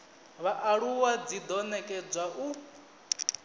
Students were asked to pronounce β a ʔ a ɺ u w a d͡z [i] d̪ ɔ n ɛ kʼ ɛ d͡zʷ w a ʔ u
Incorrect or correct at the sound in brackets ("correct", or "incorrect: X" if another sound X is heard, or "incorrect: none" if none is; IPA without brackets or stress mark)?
correct